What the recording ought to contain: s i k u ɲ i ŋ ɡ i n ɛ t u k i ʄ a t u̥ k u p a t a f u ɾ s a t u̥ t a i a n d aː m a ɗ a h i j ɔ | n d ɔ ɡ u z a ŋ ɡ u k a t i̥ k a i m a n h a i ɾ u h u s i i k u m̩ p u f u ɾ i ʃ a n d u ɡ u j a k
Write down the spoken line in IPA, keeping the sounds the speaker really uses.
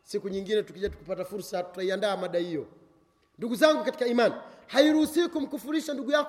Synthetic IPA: s i k u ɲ i ŋ ɡ i n ɛ t u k i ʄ a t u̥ k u p a t a f u ɾ s a t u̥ t a i a n d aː m a ɗ a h i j ɔ | n d u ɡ u z a ŋ ɡ u k a t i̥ k a i m a n h a i ɾ u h u s i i k u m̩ k u f u ɾ i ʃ a n d u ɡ u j a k